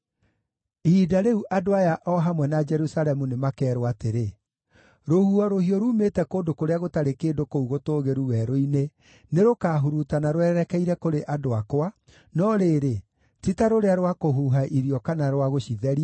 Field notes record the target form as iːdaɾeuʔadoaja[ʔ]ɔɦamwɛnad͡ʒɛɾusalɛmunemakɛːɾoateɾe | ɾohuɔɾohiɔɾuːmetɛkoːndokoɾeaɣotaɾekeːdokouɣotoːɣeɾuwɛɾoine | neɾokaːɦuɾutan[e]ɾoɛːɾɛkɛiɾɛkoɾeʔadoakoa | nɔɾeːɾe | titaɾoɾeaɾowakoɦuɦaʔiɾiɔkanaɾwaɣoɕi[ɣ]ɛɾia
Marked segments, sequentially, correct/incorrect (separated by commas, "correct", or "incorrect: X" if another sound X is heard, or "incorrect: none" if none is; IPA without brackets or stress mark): correct, incorrect: a, incorrect: ð